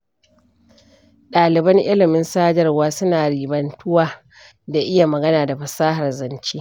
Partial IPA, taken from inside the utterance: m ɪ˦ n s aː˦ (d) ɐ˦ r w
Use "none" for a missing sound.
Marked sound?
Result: d͡ʒ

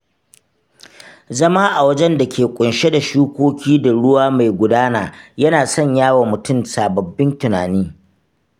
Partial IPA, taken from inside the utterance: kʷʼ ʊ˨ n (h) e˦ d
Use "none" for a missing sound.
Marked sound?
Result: ʃ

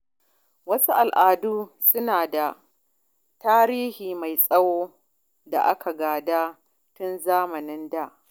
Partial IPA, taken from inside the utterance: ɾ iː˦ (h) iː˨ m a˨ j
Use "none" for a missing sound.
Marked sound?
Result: h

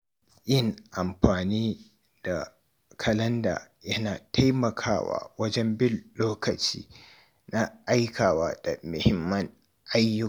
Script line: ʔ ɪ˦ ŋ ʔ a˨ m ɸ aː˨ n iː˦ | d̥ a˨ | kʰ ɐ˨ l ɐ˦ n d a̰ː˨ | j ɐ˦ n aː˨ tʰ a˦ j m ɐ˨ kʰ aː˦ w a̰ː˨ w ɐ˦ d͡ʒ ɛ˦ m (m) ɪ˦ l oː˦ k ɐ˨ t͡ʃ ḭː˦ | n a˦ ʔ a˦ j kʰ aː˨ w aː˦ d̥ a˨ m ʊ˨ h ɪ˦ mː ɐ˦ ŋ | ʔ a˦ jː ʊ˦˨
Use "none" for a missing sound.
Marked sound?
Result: b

